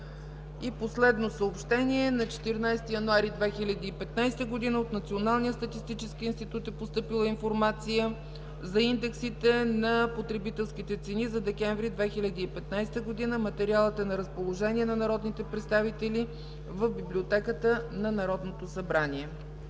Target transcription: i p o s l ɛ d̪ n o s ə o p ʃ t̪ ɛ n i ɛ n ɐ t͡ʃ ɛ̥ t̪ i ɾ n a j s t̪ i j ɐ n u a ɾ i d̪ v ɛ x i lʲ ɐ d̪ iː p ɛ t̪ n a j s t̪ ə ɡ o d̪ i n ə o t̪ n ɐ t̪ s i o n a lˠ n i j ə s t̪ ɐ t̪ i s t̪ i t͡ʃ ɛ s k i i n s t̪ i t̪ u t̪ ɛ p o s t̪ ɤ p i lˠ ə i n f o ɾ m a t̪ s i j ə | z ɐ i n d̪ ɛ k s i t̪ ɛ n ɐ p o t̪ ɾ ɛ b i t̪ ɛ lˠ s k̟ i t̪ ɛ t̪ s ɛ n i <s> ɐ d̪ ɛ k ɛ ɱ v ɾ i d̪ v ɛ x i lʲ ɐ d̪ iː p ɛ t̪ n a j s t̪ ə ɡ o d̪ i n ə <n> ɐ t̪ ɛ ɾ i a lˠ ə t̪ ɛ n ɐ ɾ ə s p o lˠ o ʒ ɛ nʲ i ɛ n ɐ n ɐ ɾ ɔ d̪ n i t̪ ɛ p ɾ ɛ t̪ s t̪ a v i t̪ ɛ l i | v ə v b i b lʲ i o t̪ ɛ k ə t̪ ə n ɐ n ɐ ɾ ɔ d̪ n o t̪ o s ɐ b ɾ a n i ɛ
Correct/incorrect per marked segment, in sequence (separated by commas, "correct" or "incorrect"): incorrect, incorrect